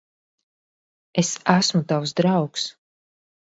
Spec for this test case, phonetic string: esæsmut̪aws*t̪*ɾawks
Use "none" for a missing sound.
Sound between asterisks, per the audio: d̪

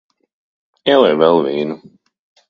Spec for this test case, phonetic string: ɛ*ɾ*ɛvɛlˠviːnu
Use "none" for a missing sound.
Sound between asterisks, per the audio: l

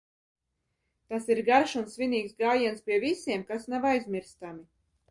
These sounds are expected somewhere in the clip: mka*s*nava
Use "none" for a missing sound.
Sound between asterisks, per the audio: s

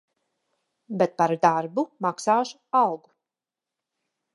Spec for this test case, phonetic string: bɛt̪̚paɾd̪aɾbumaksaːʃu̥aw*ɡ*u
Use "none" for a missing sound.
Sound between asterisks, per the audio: ɡ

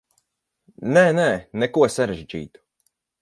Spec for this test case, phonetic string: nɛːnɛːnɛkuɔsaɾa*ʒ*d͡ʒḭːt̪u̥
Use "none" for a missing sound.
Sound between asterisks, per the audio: ʒ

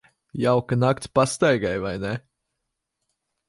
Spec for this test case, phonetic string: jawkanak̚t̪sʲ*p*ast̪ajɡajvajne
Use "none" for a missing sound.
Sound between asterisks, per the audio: p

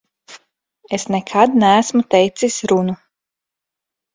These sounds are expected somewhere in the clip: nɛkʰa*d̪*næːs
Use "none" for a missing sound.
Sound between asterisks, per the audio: d̪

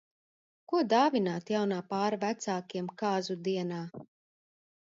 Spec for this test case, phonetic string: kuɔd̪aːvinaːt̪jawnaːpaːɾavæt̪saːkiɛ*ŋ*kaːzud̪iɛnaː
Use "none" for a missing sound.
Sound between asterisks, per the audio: m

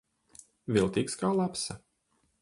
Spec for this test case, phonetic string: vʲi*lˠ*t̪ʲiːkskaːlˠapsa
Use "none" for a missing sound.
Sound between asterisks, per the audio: lˠ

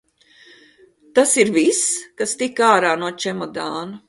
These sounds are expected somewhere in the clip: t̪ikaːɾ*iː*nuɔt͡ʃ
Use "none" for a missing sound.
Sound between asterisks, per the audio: aː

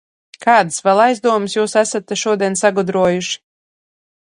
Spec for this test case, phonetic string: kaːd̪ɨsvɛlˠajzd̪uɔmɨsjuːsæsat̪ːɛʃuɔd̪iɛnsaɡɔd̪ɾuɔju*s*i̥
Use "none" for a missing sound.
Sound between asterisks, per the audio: ʃ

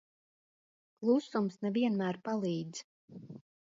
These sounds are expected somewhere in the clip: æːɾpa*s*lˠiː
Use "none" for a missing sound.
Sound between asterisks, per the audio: none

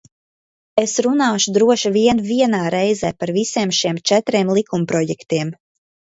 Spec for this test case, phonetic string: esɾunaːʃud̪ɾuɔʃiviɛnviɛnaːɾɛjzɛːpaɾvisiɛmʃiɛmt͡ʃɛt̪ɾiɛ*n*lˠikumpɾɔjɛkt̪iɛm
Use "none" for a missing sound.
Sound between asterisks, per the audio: m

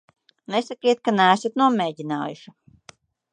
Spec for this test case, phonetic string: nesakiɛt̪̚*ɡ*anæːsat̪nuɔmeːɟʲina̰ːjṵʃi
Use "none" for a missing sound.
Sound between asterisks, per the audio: k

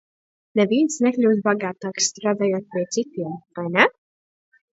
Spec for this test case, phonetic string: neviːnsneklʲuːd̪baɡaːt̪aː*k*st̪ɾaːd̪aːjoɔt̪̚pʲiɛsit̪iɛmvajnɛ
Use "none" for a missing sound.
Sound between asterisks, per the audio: k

